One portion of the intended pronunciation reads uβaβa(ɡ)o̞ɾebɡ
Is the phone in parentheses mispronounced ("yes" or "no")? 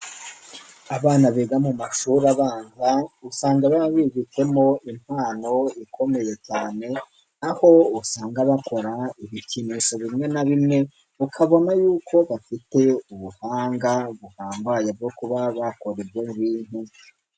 yes